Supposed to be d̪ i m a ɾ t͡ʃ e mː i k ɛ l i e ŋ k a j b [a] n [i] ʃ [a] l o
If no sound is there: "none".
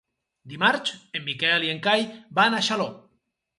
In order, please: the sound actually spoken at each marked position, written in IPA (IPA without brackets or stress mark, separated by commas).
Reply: a, a, a